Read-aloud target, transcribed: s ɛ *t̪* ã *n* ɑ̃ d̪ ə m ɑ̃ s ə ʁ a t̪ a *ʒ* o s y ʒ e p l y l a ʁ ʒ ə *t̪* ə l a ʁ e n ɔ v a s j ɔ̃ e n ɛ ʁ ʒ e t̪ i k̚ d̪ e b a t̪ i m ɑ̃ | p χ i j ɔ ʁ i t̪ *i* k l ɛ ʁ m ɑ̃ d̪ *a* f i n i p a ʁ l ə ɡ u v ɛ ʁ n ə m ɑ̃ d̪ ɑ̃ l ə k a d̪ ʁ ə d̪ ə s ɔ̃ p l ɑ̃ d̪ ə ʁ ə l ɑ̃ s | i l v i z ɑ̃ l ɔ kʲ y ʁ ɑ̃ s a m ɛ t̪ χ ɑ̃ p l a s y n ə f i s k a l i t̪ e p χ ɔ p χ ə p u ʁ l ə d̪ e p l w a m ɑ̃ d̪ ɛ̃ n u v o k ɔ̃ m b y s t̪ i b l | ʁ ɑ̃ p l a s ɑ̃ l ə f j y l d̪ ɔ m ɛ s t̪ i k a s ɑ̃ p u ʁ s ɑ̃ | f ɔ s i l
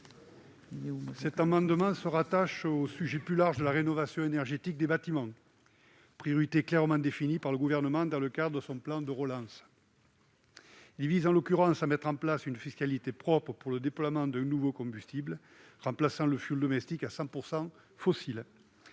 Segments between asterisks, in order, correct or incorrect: correct, incorrect: m, incorrect: ʃ, incorrect: d̪, incorrect: e, incorrect: e

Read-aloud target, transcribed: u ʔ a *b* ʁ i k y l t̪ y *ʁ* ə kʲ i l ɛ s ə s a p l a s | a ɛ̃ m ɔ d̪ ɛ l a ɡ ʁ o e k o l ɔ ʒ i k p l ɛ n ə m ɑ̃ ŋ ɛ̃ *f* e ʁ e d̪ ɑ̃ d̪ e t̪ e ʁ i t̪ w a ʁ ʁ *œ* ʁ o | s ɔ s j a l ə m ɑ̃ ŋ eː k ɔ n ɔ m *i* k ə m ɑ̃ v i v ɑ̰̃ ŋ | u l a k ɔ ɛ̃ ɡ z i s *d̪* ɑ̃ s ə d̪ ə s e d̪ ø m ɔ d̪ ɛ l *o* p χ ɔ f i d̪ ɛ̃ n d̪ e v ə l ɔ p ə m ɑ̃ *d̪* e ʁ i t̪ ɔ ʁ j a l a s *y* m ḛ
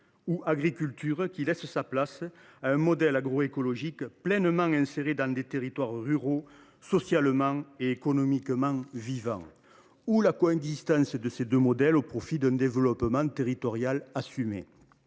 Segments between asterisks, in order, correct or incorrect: incorrect: ɡ, correct, incorrect: s, incorrect: y, correct, incorrect: t̪, correct, incorrect: t̪, correct

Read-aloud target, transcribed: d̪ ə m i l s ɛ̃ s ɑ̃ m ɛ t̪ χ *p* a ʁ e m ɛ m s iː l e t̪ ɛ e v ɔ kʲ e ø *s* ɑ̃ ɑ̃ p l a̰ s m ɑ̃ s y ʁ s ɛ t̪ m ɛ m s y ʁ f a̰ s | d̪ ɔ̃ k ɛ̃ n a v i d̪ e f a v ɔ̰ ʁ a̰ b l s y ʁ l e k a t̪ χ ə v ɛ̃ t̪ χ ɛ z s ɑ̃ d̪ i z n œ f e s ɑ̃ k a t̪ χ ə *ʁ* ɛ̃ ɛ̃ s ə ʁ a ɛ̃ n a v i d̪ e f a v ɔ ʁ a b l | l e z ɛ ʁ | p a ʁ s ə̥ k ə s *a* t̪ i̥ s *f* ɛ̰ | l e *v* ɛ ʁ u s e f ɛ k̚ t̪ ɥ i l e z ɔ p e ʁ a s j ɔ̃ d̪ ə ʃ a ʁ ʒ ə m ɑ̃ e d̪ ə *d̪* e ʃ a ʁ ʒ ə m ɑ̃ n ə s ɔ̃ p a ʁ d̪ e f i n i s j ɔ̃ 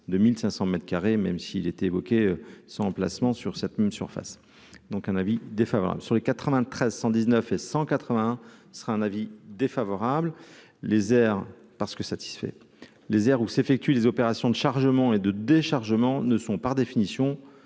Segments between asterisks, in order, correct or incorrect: incorrect: k, correct, incorrect: v, correct, correct, incorrect: z, correct

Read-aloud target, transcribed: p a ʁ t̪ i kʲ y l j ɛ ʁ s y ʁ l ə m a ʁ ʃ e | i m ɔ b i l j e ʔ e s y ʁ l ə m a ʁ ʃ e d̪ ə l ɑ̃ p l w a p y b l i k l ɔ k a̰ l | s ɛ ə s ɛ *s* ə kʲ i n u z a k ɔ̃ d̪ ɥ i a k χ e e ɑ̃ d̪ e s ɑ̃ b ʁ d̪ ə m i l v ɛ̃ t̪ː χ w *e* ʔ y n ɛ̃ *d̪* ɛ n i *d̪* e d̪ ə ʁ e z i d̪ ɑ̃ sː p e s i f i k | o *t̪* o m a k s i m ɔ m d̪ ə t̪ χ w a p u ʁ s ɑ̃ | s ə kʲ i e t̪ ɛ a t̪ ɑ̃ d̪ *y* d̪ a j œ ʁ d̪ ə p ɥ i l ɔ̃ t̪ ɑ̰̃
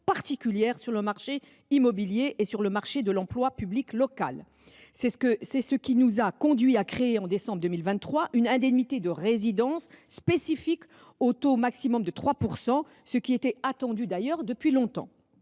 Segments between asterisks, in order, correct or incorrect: correct, incorrect: a, correct, incorrect: t̪, correct, correct

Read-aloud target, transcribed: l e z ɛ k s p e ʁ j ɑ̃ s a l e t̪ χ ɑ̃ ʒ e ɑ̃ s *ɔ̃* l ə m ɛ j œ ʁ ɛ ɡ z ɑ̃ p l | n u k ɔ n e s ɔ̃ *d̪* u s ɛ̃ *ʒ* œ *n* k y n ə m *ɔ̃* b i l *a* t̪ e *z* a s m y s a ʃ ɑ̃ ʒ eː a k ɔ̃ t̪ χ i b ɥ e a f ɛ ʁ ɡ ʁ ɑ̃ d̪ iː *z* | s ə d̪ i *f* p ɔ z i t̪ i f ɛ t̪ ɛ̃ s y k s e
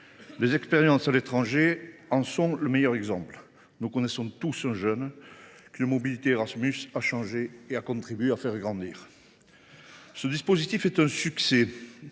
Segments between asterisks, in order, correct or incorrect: correct, incorrect: t̪, correct, correct, incorrect: ɔ, incorrect: i, incorrect: ʁ, incorrect: ʁ, incorrect: s

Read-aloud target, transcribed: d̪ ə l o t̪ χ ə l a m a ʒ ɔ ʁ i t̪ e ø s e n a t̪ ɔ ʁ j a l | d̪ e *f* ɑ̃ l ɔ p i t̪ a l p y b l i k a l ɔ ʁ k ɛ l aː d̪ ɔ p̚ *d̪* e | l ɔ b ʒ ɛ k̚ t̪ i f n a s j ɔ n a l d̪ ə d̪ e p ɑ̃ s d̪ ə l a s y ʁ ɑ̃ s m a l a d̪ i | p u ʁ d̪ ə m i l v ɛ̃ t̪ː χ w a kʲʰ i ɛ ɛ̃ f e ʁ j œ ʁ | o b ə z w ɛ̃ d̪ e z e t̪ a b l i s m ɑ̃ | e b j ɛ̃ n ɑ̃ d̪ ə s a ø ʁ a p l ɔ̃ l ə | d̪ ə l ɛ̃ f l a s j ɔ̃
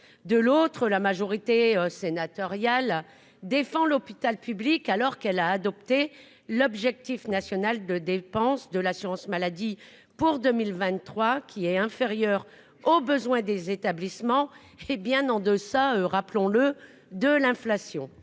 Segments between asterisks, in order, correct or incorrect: correct, incorrect: t̪

